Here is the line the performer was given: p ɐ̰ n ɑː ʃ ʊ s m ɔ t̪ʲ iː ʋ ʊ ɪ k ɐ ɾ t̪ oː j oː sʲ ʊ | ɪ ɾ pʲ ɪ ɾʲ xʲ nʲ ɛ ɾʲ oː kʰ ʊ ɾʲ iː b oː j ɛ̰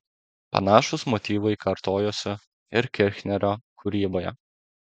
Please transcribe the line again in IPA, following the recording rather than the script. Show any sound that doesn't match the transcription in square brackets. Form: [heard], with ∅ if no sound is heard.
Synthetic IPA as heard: p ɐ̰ n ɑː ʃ ʊ s m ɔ t̪ʲ iː ʋ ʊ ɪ k ɐ ɾ t̪ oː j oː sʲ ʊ | ɪ ɾ [kʲ] ɪ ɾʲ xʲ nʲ ɛ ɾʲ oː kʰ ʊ ɾʲ iː b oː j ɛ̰